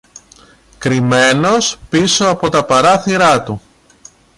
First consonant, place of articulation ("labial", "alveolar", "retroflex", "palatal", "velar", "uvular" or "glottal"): velar